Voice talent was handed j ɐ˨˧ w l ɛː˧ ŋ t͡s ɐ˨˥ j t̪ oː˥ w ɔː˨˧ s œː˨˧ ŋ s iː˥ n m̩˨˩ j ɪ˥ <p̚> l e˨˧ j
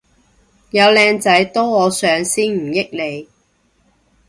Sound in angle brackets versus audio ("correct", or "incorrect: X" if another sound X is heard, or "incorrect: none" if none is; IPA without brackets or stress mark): incorrect: k̚